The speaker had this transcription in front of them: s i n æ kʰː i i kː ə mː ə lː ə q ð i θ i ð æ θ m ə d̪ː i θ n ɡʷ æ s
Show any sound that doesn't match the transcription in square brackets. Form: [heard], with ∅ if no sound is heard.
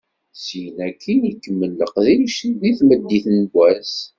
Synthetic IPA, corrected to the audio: s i n æ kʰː i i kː ə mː ə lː ə q ð i [ʃ] i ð [i] θ m ə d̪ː i θ n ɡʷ æ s